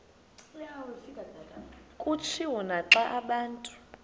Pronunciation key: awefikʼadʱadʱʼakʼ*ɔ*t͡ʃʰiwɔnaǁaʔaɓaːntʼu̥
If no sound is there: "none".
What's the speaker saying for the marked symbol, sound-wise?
u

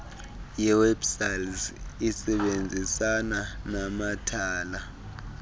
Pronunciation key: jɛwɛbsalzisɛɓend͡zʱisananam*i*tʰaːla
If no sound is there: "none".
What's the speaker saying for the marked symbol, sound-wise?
a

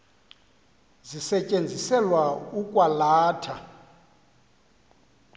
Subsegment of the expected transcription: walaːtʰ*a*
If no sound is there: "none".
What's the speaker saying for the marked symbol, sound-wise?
a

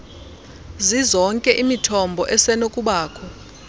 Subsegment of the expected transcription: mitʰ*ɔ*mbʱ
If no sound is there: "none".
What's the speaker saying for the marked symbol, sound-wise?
ɔ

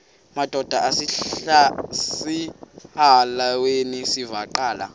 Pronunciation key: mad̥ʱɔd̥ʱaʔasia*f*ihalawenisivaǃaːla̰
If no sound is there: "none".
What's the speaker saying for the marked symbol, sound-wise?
s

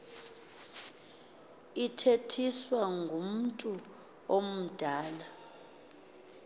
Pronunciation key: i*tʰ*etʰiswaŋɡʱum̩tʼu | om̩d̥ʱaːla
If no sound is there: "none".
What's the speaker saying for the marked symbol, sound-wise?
tʰ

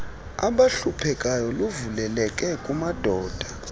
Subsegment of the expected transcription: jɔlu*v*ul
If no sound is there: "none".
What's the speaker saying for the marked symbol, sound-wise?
v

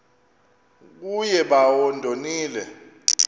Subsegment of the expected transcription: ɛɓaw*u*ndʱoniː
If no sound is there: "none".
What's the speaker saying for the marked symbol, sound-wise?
ɔ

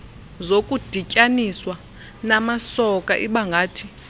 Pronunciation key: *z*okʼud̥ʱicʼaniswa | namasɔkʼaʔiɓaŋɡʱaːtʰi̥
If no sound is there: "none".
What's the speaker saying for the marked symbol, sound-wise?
z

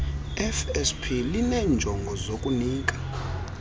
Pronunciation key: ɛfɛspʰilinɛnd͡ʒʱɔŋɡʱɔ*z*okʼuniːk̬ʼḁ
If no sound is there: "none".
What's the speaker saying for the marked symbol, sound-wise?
z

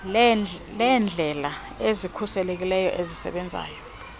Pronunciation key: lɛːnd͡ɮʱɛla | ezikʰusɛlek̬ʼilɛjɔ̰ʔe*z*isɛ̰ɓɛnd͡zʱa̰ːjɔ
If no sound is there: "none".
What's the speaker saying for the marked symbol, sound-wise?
z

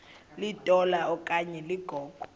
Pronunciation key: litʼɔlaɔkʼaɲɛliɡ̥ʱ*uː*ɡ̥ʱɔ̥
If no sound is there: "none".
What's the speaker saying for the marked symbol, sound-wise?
ɔː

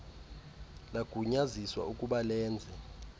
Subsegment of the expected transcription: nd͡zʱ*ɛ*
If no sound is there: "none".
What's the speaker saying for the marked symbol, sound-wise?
ɛ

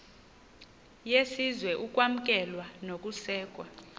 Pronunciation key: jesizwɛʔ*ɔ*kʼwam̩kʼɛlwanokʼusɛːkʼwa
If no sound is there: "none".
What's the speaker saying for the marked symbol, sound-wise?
u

